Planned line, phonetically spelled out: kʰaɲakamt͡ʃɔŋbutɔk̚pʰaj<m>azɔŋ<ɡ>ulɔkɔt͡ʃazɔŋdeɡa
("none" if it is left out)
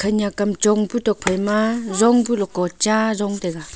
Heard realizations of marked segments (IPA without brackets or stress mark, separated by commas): m, b